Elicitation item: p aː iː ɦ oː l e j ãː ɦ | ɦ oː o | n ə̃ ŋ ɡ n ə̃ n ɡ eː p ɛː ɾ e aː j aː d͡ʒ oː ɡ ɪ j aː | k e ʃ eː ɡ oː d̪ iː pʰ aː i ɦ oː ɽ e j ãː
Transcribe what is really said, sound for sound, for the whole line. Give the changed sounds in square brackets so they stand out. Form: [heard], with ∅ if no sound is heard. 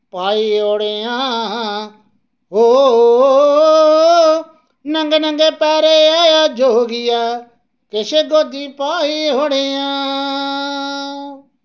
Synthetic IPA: p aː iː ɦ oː [ɽ] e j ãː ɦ | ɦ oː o | n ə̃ ŋ ɡ n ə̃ [ŋ] ɡ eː p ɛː ɾ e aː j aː d͡ʒ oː ɡ ɪ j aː | k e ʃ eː ɡ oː d̪ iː [p] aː i ɦ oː ɽ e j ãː